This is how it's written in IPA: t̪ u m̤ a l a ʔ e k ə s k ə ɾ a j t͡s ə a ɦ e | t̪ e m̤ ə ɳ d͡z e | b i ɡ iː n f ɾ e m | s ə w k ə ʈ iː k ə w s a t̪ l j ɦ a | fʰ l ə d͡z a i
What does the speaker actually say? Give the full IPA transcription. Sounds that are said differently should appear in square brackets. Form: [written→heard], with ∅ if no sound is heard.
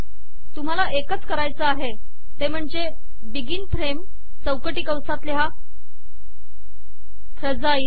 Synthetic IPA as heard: t̪ u m̤ a l a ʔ e k ə [s→t͡s] k ə ɾ a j t͡s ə a ɦ e | t̪ e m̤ ə ɳ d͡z e | b i ɡ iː n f ɾ e m | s ə w k ə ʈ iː k ə w s a t̪ l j ɦ a | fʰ [l→ɾ] ə d͡z a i

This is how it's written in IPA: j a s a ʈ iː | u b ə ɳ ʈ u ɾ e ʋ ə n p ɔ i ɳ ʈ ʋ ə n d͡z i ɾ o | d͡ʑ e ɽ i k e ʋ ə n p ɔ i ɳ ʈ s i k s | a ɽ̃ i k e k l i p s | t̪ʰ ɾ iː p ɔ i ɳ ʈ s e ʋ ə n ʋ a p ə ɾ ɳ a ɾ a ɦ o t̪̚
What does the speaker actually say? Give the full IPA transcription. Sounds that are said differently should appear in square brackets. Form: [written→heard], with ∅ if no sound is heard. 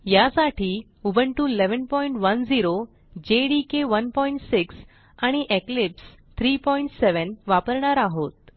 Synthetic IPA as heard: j a s a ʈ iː | u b ə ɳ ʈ u [ɾ→l] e ʋ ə n p ɔ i ɳ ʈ ʋ ə n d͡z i ɾ o | d͡ʑ e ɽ i k e ʋ ə n p ɔ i ɳ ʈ s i k s | a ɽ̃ i [k→ʔ] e k l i p s | t̪ʰ ɾ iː p ɔ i ɳ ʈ s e ʋ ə n ʋ a p ə ɾ ɳ a ɾ a ɦ o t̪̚

